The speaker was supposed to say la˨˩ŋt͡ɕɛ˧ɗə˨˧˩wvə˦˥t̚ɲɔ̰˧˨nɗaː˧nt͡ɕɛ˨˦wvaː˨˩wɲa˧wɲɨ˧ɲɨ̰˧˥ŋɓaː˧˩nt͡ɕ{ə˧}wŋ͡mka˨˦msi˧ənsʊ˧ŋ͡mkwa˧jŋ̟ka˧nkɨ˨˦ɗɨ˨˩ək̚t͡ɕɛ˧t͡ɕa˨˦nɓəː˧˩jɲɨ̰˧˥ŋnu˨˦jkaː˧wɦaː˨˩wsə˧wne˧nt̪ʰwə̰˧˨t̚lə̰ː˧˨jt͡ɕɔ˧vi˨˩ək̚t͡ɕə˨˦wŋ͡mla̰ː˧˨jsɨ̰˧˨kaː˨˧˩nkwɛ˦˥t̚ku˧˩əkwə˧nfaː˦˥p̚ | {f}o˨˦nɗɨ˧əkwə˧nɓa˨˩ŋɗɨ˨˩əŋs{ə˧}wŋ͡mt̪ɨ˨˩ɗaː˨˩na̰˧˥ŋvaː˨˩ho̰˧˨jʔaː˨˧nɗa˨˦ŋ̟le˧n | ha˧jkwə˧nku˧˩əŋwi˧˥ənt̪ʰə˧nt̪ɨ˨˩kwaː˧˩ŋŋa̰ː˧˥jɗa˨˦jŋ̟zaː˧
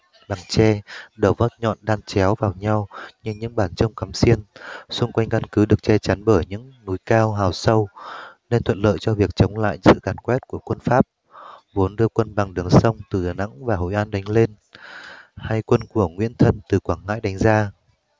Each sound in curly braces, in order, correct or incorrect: correct, incorrect: v, correct

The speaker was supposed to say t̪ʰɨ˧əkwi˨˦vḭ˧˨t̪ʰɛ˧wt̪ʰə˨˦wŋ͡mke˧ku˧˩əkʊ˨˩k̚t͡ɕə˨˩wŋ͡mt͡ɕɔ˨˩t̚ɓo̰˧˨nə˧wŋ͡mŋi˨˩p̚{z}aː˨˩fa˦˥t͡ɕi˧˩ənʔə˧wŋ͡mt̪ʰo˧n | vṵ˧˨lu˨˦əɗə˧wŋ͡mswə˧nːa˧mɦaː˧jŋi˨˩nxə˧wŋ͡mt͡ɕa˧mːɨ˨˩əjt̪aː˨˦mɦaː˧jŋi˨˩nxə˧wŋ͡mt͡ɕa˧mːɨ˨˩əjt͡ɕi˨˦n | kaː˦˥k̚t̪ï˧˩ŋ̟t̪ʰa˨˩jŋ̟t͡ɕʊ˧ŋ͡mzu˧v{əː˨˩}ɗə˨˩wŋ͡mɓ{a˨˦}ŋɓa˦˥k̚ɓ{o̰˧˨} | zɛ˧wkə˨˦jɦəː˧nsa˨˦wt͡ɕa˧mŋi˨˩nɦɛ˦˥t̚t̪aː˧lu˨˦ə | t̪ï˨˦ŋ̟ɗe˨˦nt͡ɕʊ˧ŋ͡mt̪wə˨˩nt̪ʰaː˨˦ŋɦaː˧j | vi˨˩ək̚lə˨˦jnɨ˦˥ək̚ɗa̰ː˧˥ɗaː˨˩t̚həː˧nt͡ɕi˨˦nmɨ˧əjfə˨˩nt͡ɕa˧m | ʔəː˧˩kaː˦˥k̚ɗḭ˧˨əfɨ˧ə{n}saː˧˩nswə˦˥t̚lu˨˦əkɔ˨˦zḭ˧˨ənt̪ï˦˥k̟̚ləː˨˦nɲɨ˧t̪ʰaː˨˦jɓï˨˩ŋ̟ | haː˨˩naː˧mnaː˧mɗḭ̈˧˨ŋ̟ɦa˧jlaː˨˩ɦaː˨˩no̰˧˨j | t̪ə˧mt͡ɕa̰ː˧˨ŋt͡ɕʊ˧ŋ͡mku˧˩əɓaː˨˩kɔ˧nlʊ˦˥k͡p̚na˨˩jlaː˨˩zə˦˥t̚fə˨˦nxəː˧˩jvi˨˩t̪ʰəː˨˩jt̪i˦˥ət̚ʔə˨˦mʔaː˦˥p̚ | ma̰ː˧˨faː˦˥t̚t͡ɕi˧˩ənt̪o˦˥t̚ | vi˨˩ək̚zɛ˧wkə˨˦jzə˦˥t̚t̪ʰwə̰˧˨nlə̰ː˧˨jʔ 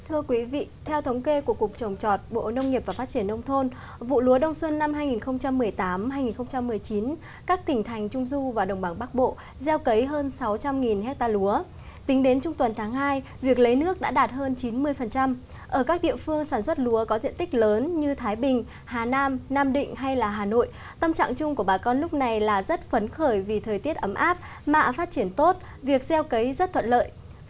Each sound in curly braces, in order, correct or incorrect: incorrect: v, incorrect: aː˨˩, incorrect: a˧˩, correct, incorrect: ŋ

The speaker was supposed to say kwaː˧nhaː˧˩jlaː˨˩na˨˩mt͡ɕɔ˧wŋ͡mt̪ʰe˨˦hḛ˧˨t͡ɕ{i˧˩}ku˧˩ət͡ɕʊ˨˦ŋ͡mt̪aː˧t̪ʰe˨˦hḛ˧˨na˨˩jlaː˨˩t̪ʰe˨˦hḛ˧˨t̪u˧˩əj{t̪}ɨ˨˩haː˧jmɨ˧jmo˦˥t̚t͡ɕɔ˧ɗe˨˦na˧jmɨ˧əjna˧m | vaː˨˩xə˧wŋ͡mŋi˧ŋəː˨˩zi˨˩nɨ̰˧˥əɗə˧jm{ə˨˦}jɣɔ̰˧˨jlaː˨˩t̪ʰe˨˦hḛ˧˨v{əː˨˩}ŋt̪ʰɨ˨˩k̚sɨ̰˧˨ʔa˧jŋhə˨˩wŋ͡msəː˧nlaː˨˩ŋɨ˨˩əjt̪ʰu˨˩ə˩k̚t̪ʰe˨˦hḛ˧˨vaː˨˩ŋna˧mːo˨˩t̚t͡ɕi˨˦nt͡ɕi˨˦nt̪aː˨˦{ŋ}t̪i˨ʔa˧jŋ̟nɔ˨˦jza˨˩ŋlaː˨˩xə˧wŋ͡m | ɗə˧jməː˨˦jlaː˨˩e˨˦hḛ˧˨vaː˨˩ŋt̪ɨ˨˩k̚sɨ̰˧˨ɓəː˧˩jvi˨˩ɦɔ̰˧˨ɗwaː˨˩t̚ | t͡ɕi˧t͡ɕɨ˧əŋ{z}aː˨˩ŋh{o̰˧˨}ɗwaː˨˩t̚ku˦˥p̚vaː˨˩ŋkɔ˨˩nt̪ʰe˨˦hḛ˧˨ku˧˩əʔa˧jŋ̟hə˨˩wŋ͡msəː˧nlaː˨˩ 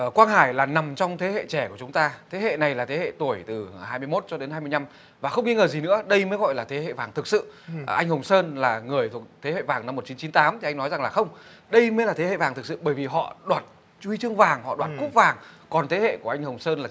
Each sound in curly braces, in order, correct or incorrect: incorrect: ɛ˧˩, correct, incorrect: əː˨˦, incorrect: aː˨˩, incorrect: m, incorrect: v, incorrect: ɔ̰˧˨

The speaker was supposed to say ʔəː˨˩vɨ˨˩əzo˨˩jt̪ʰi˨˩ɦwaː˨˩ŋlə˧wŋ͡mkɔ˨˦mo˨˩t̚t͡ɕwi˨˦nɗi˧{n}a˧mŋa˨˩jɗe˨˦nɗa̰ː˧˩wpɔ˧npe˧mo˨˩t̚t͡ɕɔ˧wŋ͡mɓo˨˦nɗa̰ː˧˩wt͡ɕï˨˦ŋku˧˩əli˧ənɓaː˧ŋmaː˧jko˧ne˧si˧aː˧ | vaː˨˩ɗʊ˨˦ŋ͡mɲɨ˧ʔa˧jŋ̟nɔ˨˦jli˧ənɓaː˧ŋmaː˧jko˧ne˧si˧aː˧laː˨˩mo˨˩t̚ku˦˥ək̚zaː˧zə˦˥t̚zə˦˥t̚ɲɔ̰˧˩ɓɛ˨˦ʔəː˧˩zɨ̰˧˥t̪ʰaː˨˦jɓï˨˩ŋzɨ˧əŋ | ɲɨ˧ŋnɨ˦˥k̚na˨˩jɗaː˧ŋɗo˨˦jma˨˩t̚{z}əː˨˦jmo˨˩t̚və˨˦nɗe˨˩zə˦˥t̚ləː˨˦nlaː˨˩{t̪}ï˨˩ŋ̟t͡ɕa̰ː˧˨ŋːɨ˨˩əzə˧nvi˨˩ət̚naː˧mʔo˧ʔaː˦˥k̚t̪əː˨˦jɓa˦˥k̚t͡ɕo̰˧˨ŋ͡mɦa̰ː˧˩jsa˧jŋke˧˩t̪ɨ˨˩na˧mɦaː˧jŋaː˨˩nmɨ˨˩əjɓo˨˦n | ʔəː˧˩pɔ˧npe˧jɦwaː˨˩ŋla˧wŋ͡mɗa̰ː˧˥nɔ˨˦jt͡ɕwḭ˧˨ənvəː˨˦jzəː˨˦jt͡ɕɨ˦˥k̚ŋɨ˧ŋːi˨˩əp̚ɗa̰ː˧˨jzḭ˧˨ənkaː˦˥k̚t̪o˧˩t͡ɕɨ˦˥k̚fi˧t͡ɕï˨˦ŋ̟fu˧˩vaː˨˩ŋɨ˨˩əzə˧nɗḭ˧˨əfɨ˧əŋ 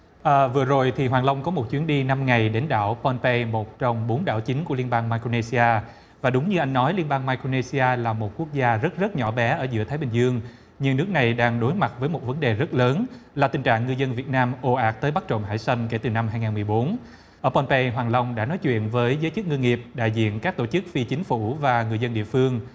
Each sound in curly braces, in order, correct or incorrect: correct, incorrect: v, correct

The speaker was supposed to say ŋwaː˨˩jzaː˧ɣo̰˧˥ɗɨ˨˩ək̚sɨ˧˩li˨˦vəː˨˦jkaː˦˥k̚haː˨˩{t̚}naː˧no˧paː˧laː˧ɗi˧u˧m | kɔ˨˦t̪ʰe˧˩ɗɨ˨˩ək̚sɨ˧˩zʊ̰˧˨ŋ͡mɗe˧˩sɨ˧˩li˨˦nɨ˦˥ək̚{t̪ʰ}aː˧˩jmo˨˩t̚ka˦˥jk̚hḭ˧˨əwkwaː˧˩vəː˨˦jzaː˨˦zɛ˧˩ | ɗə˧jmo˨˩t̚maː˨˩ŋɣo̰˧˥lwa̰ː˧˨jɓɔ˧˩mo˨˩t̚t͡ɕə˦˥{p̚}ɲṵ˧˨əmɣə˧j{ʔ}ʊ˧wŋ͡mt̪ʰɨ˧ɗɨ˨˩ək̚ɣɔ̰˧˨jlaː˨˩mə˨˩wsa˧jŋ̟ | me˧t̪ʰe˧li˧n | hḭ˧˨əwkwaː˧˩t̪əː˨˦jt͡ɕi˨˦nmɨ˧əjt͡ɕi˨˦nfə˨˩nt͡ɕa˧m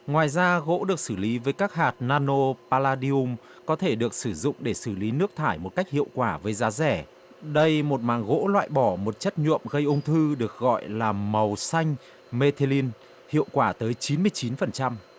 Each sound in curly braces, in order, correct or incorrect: correct, correct, incorrect: t̚, correct

